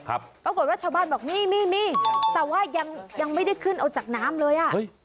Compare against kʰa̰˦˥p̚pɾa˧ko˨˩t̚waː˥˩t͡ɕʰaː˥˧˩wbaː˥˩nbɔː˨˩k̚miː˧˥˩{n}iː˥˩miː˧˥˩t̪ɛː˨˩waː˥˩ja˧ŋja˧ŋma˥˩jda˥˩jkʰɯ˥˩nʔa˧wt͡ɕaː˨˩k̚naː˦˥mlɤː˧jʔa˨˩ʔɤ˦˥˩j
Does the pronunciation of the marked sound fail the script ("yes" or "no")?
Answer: yes